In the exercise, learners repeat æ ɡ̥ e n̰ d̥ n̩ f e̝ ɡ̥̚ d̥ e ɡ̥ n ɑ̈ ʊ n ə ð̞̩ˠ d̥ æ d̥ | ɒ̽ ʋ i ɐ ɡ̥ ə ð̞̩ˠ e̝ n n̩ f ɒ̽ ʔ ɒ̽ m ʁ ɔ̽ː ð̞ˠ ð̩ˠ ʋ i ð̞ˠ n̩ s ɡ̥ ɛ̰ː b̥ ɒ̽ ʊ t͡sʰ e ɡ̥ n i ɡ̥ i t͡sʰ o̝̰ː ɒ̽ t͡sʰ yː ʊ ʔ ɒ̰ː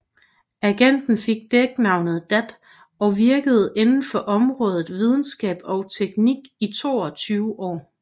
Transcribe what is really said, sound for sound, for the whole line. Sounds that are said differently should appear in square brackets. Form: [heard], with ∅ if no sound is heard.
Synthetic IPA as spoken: æ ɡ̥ e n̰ d̥ n̩ f e̝ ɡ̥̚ d̥ e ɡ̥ n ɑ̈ ʊ n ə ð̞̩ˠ d̥ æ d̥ | ɒ̽ ʋ i ɐ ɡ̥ ə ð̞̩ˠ e̝ n n̩ f ɒ̽ ʔ ɒ̽ m ʁ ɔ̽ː ð̞ˠ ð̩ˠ ʋ i ð̞ˠ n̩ s ɡ̥ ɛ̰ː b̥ ɒ̽ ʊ t͡sʰ e ɡ̥ n i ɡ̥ i t͡sʰ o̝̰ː ɒ̽ t͡sʰ yː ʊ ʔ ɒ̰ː

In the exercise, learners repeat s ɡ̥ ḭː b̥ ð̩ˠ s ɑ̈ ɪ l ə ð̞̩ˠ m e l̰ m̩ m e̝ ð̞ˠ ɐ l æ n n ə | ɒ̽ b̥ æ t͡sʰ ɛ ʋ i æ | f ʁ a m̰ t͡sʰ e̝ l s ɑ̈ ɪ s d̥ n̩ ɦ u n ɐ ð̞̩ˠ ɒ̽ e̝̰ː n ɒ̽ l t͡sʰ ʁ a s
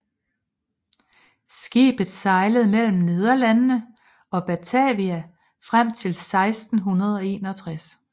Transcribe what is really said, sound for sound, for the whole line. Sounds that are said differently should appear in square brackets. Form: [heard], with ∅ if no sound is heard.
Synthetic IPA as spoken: s ɡ̥ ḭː b̥ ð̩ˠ s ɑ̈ ɪ l ə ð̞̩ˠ m e l̰ m̩ [n] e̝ ð̞ˠ ɐ l æ n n ə | ɒ̽ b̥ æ t͡sʰ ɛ ʋ i æ | f ʁ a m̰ t͡sʰ e̝ l s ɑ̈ ɪ s d̥ n̩ ɦ u n ɐ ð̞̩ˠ ɒ̽ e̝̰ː n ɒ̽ [∅] t͡sʰ ʁ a s

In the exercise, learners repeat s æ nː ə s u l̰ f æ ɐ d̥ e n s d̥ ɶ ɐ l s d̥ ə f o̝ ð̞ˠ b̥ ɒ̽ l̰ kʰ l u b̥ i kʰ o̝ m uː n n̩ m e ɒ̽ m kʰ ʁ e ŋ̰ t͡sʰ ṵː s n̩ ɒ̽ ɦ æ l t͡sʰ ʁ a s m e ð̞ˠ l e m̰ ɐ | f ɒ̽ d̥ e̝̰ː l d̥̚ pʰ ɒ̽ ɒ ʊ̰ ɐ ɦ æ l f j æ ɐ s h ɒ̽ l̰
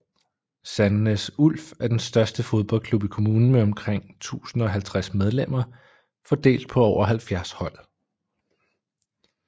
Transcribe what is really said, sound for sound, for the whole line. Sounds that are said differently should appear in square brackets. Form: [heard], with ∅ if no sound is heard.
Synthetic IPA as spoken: s æ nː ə s u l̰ f æ ɐ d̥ e n s d̥ ɶ ɐ [∅] s d̥ ə f o̝ ð̞ˠ b̥ ɒ̽ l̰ kʰ l u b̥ i kʰ o̝ m uː n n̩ m e ɒ̽ m kʰ ʁ e ŋ̰ t͡sʰ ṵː s n̩ ɒ̽ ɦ æ l t͡sʰ ʁ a s m e ð̞ˠ l e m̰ ɐ | f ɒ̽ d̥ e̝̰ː l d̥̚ pʰ ɒ̽ ɒ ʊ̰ ɐ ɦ æ l f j æ ɐ s h ɒ̽ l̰

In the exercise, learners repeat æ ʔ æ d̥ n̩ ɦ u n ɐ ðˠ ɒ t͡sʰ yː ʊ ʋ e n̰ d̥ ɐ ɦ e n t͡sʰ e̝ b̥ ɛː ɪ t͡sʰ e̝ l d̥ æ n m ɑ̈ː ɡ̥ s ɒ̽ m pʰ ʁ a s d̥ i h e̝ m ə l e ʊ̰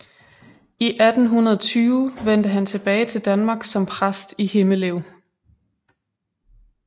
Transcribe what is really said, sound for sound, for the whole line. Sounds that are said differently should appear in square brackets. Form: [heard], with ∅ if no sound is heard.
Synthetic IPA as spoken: [i] ʔ æ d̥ n̩ ɦ u n ɐ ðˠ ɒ t͡sʰ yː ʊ ʋ e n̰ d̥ [ə] ɦ [æ] n t͡sʰ e̝ b̥ ɛː ɪ t͡sʰ e̝ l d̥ æ n m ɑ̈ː ɡ̥ s ɒ̽ m pʰ ʁ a s d̥ i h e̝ m ə l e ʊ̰

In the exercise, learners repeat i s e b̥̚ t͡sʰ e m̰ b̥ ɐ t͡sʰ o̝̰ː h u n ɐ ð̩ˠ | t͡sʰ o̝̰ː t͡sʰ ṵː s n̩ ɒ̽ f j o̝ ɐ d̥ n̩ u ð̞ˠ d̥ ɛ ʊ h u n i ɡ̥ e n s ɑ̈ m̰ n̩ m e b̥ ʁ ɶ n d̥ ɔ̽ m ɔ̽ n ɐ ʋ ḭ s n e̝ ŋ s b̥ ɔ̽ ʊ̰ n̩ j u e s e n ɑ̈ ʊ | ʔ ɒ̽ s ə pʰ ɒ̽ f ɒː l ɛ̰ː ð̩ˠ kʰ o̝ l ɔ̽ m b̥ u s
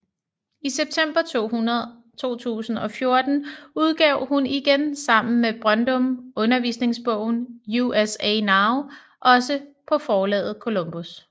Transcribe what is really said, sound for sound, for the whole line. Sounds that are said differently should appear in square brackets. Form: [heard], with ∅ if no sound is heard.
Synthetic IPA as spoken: i s e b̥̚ t͡sʰ e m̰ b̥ ɐ t͡sʰ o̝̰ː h u n ɐ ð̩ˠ | t͡sʰ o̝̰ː t͡sʰ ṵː s n̩ ɒ̽ f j o̝ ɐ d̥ n̩ u ð̞ˠ [ɡ̥] ɛ ʊ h u n i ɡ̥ e n s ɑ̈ m̰ n̩ m e b̥ ʁ ɶ n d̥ ɔ̽ m ɔ̽ n ɐ ʋ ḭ s n e̝ ŋ s b̥ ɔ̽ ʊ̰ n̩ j u e s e n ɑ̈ ʊ | ʔ ɒ̽ s ə pʰ ɒ̽ f ɒː l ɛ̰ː ð̩ˠ kʰ o̝ l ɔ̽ m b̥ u s

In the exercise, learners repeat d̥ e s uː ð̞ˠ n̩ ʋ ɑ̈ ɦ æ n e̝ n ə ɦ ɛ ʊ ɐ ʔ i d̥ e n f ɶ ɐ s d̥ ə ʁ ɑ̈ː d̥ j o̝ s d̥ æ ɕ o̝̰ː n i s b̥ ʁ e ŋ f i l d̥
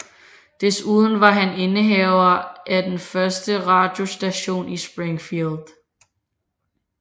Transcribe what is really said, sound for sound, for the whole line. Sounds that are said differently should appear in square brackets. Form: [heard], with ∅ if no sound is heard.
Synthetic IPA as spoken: d̥ e s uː ð̞ˠ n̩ ʋ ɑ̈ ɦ æ n e̝ n ə ɦ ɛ ʊ ɐ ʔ [æ] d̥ e n f ɶ ɐ s d̥ ə ʁ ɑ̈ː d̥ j o̝ s d̥ æ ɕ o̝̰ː n i s b̥ ʁ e ŋ f i l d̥

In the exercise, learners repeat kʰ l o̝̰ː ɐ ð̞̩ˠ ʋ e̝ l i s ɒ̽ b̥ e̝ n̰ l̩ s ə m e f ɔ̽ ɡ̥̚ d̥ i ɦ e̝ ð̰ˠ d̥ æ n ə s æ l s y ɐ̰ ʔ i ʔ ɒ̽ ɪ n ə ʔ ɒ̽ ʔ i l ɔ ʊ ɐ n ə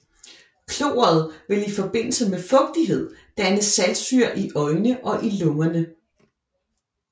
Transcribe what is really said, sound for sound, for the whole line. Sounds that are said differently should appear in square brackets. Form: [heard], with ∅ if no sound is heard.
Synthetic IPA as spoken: kʰ l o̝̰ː ɐ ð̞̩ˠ ʋ e̝ l i [f] ɒ̽ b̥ e̝ n̰ l̩ s ə m e f ɔ̽ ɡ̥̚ d̥ i ɦ e̝ ð̰ˠ d̥ æ n ə s æ l s y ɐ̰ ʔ i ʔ ɒ̽ ɪ n ə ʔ ɒ̽ ʔ i l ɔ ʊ ɐ n ə

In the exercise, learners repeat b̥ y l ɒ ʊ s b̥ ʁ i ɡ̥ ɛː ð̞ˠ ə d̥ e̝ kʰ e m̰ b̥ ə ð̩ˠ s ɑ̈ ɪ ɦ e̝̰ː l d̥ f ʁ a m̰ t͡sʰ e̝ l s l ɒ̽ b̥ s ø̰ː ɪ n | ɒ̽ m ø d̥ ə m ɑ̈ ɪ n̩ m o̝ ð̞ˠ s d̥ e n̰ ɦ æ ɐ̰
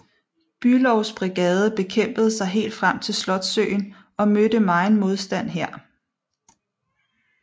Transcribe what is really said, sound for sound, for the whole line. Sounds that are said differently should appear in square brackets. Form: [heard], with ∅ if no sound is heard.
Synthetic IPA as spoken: b̥ y l ɒ ʊ s b̥ ʁ i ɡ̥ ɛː ð̞ˠ ə [b̥] e̝ kʰ e m̰ b̥ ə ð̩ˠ s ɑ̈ ɪ ɦ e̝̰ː l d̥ f ʁ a m̰ t͡sʰ e̝ l s l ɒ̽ [d̥] s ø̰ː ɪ n | ɒ̽ m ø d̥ ə m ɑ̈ ɪ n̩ m o̝ ð̞ˠ s d̥ [æ] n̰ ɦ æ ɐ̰

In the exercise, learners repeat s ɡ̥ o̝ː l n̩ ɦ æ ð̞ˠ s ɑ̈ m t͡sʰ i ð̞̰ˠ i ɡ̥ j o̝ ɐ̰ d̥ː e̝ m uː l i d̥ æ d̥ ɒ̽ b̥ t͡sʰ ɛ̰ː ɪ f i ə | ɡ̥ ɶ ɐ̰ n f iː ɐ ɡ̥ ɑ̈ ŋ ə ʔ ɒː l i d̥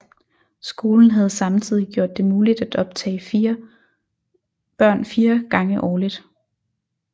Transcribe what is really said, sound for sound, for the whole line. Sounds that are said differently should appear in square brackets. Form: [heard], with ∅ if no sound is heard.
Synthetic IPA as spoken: s ɡ̥ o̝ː l n̩ ɦ æ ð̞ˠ s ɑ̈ m t͡sʰ i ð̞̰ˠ i ɡ̥ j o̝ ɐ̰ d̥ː e̝ m uː l i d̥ æ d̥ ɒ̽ b̥ t͡sʰ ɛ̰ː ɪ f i [ɐ] | [b̥] ɶ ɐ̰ n f iː ɐ ɡ̥ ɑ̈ ŋ ə ʔ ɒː l i d̥

